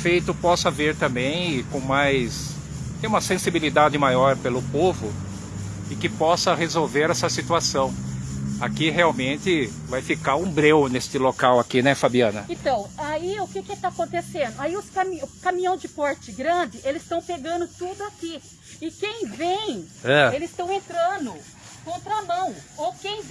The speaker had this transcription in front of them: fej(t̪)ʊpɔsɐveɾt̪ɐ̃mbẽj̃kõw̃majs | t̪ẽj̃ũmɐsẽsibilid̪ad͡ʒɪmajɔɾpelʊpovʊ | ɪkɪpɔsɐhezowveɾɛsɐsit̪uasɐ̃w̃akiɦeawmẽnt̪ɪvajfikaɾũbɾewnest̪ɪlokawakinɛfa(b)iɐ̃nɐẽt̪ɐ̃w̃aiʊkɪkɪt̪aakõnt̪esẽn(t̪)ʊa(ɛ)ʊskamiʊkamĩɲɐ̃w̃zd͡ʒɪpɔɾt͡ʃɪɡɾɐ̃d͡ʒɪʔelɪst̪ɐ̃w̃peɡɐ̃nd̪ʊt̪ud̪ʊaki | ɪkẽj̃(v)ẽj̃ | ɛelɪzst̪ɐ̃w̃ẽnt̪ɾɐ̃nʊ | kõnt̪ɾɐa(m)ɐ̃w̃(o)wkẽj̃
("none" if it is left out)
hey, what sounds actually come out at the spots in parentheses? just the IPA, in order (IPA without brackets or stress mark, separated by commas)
t̪, b, d̪, i, v, m, o